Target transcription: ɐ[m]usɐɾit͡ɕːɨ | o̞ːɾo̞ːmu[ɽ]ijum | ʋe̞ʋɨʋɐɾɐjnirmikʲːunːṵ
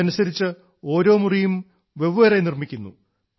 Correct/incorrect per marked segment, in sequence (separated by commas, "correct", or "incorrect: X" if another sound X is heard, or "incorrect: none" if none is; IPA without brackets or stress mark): incorrect: n, incorrect: r